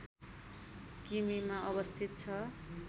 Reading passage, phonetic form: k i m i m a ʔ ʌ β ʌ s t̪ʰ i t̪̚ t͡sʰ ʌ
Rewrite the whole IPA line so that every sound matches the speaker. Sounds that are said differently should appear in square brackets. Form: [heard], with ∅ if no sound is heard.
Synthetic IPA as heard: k i m i m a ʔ ʌ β ʌ s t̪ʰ i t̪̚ t͡sʰ ʌ